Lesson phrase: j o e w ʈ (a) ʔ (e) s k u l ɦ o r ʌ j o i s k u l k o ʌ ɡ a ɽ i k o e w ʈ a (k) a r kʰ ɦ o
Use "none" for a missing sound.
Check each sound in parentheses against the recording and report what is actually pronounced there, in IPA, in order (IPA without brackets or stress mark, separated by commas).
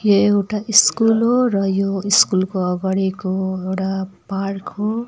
a, i, p